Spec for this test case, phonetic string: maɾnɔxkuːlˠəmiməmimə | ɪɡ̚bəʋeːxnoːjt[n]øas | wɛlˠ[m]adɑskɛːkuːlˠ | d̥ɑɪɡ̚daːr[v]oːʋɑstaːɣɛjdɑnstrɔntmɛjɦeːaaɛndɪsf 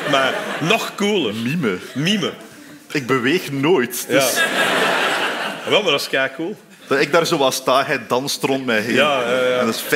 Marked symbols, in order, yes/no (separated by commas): no, yes, no